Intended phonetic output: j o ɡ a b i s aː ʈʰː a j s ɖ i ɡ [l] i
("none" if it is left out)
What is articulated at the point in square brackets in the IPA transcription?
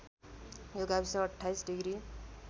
ɾ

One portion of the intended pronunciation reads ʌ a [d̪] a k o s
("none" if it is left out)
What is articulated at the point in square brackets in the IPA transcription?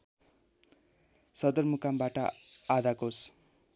d̪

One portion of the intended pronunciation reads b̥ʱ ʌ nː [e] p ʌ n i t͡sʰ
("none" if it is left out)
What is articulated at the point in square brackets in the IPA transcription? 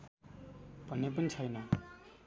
e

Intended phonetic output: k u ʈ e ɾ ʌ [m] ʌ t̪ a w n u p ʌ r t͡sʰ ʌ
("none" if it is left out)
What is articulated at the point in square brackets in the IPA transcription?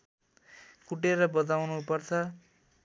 b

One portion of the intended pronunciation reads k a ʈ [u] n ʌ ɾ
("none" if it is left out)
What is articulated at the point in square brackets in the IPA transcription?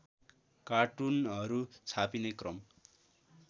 u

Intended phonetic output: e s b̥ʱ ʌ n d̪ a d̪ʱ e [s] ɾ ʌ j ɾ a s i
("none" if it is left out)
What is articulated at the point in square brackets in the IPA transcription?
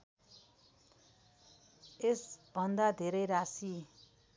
none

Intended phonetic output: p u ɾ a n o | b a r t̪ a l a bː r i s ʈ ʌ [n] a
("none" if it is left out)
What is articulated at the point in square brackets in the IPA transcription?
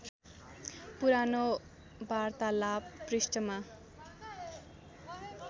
m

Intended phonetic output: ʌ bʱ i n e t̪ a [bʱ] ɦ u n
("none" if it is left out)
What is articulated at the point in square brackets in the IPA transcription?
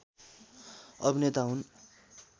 none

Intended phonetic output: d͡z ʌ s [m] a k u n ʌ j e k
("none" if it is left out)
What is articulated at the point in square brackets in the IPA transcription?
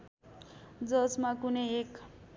m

